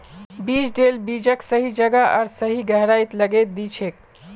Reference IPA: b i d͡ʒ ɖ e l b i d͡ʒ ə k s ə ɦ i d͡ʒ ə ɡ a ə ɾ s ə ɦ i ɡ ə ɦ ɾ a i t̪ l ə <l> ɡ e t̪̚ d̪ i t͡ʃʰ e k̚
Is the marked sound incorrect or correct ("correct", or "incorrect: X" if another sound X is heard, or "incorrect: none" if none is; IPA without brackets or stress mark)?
incorrect: none